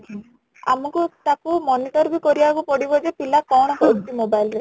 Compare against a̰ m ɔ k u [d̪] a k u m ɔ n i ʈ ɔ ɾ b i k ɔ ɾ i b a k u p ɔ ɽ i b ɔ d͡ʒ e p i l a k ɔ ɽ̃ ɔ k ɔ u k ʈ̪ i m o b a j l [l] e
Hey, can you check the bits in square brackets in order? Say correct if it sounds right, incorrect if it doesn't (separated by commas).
incorrect, incorrect